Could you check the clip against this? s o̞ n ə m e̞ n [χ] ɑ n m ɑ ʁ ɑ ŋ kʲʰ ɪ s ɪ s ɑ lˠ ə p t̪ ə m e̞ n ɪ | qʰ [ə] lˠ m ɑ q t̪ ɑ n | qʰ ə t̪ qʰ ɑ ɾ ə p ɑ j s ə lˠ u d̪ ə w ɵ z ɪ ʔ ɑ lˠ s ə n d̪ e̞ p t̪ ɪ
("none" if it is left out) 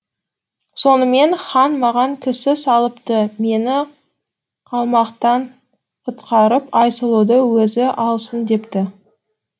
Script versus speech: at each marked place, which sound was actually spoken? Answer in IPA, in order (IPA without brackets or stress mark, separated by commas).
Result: χ, ɑ